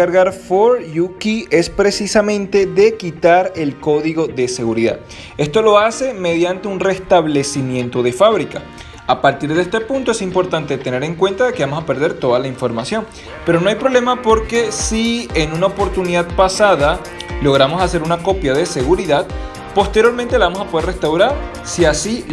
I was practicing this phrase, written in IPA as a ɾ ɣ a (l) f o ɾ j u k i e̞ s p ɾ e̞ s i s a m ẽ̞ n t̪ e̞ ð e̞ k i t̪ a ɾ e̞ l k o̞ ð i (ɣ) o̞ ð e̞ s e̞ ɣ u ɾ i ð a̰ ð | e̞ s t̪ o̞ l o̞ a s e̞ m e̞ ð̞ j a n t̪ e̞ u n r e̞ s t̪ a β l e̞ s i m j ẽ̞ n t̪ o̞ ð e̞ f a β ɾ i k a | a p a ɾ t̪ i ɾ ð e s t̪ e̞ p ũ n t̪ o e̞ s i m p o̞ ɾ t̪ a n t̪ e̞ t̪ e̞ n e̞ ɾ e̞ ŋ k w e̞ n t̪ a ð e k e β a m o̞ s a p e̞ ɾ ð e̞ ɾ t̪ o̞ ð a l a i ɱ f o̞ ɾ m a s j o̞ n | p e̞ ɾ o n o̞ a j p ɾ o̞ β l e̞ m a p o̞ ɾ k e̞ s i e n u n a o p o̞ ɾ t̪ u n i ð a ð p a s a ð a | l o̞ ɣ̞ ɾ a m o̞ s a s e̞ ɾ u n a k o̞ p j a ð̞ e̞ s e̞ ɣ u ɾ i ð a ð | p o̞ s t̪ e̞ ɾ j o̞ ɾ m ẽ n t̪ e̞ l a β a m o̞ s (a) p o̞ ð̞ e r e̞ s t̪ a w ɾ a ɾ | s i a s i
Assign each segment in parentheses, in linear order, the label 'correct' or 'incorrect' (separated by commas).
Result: incorrect, correct, correct